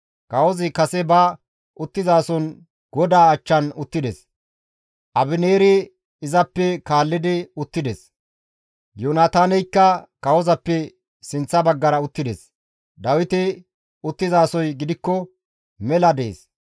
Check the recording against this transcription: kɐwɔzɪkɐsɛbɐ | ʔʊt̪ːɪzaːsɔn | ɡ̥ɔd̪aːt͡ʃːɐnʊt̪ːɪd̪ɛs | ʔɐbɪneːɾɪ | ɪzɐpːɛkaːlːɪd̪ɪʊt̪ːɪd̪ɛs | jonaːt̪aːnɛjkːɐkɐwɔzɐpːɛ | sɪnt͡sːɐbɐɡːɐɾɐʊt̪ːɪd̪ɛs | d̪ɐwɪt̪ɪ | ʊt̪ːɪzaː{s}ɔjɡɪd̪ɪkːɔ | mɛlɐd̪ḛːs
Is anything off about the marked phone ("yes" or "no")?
no